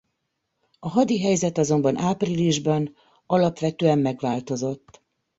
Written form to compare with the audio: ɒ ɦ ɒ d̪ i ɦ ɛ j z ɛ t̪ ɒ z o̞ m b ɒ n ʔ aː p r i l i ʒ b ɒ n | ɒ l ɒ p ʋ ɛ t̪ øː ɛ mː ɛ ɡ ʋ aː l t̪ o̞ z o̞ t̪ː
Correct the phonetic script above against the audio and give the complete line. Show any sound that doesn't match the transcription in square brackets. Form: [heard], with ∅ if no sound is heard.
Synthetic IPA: ɒ ɦ ɒ d̪ i ɦ ɛ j z ɛ t̪ ɒ z o̞ m b ɒ n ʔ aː p r i l i ʒ b ɒ n | ɒ l ɒ p ʋ ɛ t̪ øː ɛ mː ɛ ɡ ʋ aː l t̪ o̞ z o̞ t̪ː